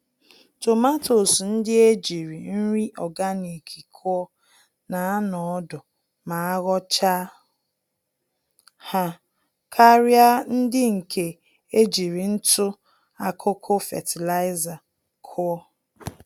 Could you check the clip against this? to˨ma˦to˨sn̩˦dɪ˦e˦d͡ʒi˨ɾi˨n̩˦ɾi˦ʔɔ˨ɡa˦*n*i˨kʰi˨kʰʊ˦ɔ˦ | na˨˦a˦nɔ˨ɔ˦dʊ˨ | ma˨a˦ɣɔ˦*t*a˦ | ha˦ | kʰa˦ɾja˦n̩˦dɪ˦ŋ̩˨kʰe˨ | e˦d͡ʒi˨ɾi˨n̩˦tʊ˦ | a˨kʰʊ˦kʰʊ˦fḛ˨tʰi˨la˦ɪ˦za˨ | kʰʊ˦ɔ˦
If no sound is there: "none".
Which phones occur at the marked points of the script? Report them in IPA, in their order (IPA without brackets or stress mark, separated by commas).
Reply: n, t͡ʃ